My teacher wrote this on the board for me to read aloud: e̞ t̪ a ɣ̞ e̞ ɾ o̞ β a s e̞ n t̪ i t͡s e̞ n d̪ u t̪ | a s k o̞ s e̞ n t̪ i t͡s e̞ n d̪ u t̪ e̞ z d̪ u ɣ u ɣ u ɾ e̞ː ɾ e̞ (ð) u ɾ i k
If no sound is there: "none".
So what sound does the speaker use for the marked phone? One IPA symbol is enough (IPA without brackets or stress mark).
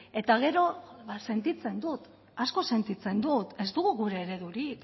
ð